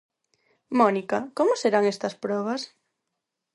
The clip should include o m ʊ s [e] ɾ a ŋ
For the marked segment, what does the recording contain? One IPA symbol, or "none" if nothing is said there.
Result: e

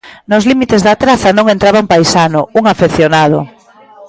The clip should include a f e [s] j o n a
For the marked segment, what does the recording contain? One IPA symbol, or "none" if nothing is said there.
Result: θ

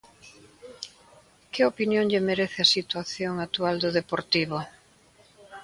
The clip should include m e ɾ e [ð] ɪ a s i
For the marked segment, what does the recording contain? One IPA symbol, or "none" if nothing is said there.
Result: θ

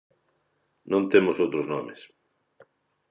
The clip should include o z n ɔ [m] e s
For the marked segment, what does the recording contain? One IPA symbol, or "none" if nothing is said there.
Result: m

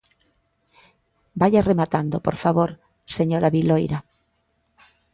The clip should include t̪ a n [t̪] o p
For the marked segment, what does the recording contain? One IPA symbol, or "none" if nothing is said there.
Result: d̪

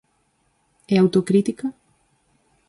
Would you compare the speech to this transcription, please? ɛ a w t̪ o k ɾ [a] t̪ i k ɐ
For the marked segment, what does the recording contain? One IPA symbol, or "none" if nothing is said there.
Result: i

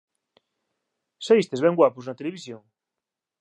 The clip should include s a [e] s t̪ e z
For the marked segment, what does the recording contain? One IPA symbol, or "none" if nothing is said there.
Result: i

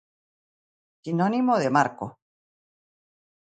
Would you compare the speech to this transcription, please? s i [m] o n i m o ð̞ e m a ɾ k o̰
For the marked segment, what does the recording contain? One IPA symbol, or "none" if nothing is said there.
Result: n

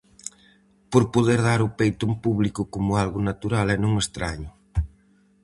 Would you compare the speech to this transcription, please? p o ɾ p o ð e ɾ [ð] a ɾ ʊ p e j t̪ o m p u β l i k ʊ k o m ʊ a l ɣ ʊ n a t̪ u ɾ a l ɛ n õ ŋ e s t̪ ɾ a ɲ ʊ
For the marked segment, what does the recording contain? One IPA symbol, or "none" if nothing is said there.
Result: ð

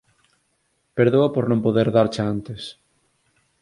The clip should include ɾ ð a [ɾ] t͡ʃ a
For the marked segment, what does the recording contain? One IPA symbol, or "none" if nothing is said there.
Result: ɾ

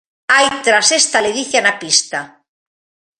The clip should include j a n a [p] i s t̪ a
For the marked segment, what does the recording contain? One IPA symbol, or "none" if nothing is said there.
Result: p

